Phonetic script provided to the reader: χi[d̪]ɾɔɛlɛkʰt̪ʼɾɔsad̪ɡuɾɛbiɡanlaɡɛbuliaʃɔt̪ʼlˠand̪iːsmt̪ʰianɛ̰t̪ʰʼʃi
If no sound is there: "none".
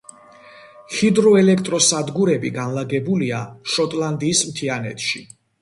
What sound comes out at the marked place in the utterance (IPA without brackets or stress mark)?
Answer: d̪